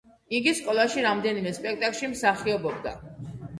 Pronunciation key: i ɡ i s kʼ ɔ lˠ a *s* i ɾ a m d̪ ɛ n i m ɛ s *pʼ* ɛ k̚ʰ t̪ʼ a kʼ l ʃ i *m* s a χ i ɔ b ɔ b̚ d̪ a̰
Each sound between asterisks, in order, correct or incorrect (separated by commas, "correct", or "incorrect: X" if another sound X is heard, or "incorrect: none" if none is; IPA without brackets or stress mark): incorrect: ʃ, correct, correct